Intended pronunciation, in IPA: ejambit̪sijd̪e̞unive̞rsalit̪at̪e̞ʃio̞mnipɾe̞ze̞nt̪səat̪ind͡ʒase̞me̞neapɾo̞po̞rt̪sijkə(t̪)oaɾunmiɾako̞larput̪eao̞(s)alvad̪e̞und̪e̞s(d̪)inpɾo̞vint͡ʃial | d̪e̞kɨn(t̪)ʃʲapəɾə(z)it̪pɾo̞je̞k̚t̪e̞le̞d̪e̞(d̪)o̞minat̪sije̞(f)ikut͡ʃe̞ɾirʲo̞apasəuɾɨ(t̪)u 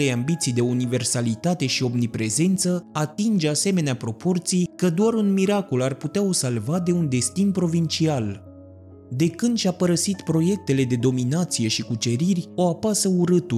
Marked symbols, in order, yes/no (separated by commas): no, yes, no, no, no, yes, no, yes